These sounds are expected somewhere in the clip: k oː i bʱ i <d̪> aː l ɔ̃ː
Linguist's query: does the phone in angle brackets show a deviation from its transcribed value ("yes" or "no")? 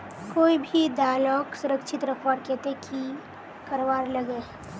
no